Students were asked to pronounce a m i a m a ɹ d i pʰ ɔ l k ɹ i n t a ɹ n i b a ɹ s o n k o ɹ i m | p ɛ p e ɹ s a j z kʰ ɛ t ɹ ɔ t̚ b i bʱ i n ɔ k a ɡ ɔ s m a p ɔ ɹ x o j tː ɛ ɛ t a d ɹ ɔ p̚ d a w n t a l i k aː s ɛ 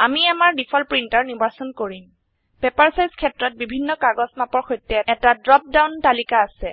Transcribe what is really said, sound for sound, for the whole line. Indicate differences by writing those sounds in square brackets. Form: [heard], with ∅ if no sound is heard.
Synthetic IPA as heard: a m i a m a ɹ d i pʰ ɔ l [p] ɹ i n t a ɹ n i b a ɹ s [ɔ] n k o ɹ i m | p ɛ p [a] ɹ s a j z kʰ ɛ t ɹ ɔ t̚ b i bʱ i [nː] ɔ k a ɡ ɔ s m a p ɔ ɹ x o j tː ɛ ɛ t a d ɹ ɔ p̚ d a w n t a l i k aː s ɛ